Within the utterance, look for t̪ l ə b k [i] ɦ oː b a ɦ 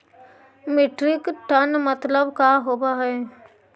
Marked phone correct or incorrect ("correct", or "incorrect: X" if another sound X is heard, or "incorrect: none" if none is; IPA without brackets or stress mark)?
incorrect: a